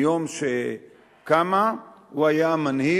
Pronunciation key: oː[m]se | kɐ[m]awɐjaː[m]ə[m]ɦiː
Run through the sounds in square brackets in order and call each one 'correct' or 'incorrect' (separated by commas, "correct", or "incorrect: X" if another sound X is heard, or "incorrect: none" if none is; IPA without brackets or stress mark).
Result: correct, correct, correct, incorrect: n